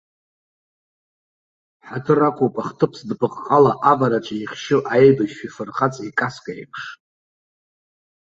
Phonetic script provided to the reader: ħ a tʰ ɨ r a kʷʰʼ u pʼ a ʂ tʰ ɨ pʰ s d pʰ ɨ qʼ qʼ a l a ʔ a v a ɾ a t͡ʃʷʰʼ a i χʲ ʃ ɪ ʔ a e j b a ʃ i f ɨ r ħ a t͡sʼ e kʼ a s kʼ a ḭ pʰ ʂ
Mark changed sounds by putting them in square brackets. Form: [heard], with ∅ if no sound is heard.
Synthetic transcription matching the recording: ħ a tʰ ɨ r a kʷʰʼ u pʼ a [χ] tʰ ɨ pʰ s d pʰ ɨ qʼ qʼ a l a ʔ a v a ɾ a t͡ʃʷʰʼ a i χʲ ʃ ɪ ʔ a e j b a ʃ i f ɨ r [χ] a t͡sʼ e kʼ a s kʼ a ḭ pʰ ʂ